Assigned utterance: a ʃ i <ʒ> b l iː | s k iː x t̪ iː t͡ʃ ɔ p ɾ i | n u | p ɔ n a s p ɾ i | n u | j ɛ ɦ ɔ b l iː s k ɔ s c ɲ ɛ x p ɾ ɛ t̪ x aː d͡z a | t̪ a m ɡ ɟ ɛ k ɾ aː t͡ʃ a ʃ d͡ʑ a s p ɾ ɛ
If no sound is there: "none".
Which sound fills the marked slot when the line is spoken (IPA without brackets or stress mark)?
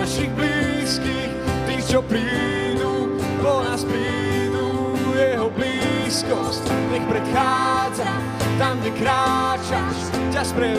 ɣ